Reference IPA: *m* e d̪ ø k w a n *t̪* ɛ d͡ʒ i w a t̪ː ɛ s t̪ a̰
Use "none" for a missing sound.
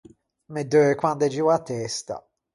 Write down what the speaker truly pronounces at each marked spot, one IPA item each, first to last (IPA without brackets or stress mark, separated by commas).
m, d̪